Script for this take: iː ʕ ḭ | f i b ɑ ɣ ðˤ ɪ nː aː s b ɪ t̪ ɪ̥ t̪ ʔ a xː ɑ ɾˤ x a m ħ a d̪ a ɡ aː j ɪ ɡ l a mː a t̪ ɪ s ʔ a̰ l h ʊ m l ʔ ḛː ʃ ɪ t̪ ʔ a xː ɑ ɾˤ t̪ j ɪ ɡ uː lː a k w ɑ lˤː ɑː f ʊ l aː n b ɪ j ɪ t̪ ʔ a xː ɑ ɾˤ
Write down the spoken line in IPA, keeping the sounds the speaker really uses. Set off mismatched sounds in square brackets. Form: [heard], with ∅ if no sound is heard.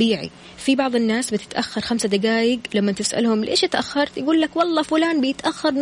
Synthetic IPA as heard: iː ʕ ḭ | f i b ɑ [ʕ] ðˤ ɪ nː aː s b ɪ t̪ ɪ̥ t̪ ʔ a xː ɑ ɾˤ x a m [s] a d̪ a ɡ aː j ɪ ɡ l a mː a t̪ ɪ s ʔ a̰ l h ʊ m l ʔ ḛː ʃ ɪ t̪ ʔ a xː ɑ ɾˤ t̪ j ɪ ɡ uː lː a k w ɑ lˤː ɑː f ʊ l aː n b ɪ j ɪ t̪ ʔ a xː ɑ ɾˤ